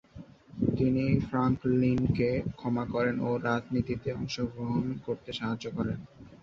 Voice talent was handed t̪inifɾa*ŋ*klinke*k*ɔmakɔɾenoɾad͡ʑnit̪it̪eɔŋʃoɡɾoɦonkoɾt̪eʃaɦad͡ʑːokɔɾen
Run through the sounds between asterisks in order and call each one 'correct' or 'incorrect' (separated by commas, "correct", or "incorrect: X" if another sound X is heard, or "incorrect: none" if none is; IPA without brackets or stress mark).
correct, incorrect: kʰ